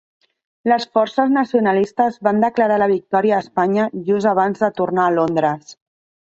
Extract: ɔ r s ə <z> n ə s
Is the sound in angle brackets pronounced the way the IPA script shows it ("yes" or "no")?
yes